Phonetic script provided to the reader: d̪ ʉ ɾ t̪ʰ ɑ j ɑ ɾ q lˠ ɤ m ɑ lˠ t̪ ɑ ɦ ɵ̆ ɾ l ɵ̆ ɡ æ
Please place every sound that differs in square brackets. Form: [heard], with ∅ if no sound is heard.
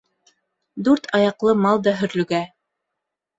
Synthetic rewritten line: d̪ ʉ ɾ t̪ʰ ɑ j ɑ [∅] q lˠ ɤ m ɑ lˠ [d̪] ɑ ɦ ɵ̆ ɾ l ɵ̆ ɡ æ

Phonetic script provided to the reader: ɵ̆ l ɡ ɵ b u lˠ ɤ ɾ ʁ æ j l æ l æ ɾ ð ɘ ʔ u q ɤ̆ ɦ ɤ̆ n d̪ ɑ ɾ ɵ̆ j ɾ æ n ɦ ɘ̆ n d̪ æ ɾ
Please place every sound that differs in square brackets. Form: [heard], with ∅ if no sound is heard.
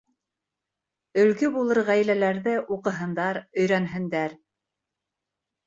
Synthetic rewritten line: ɵ̆ l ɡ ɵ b u lˠ ɤ ɾ ʁ æ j l æ l æ ɾ ð ɘ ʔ u q ɤ̆ ɦ ɤ̆ n d̪ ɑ ɾ ɵ̆ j ɾ æ n ɦ ɘ̆ n d̪ æ ɾ

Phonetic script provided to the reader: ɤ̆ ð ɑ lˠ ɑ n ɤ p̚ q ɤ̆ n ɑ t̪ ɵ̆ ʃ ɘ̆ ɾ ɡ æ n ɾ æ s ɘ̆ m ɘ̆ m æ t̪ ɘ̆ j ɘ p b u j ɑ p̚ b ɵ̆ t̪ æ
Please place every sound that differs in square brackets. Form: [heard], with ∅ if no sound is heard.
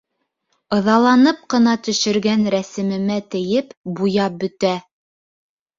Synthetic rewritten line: ɤ̆ ð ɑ lˠ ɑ n ɤ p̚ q ɤ̆ n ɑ t̪ ɵ̆ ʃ ɘ̆ ɾ ɡ æ n ɾ æ s ɘ̆ m ɘ̆ m æ t̪ ɘ̆ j ɘ p b u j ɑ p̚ b ɵ̆ t̪ æ

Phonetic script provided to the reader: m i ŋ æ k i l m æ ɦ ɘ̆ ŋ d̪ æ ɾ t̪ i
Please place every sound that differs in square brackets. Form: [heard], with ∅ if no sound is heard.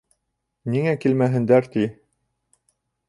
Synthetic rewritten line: [n] i ŋ æ k i l m æ ɦ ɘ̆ [n] d̪ æ ɾ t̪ i

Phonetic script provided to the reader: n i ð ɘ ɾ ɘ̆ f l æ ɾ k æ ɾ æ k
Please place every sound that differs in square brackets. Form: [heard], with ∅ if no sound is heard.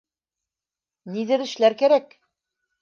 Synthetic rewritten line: n i ð ɘ ɾ ɘ̆ [ʃ] l æ ɾ k æ ɾ æ k

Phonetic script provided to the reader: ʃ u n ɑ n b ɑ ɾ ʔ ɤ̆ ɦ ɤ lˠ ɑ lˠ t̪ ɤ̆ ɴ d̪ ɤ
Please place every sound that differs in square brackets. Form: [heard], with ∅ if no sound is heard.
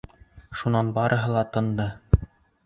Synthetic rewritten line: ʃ u n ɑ n b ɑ ɾ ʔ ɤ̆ ɦ ɤ lˠ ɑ [∅] t̪ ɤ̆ [n] d̪ ɤ

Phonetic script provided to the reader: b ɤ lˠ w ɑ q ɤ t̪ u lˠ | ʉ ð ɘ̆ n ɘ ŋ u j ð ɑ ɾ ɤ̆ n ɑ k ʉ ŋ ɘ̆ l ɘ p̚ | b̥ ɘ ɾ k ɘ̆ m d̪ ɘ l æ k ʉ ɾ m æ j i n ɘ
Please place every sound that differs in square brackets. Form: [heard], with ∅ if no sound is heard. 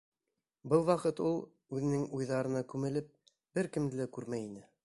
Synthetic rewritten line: b ɤ lˠ w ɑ q ɤ t̪ u lˠ | ʉ ð ɘ̆ n ɘ ŋ u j ð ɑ ɾ ɤ̆ n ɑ k ʉ [m] ɘ̆ l ɘ p̚ | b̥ ɘ ɾ k ɘ̆ m d̪ ɘ l æ k ʉ ɾ m æ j i n ɘ

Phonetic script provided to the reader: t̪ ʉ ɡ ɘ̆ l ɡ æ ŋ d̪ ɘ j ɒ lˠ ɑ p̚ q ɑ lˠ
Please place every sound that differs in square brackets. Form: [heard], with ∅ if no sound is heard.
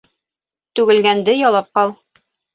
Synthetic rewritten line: t̪ ʉ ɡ ɘ̆ l ɡ æ [n] d̪ ɘ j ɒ lˠ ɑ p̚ q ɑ lˠ

